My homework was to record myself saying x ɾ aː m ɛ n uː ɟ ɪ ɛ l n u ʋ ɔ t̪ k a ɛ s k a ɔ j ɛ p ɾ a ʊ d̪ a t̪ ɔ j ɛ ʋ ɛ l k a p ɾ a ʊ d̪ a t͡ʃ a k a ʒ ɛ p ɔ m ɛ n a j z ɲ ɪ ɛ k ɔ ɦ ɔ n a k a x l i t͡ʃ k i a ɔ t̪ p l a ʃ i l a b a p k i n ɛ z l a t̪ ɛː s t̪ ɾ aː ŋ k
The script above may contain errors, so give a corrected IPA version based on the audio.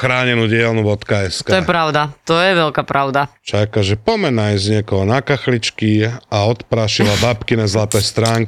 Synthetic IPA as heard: x ɾ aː ɲ ɛ n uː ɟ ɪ ɛ l n u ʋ ɔ t̪ k a ɛ s k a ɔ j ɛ p ɾ a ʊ d̪ a t̪ ɔ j ɛ ʋ ɛ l k a p ɾ a ʊ d̪ a t͡ʃ a k a ʒ ɛ p ɔ m ɛ n a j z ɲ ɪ ɛ k ɔ ɦ ɔ n a k a x l i t͡ʃ k i a ɔ t̪ p ɾ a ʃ i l a b a p k i n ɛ z l a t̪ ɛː s t̪ ɾ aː ŋ k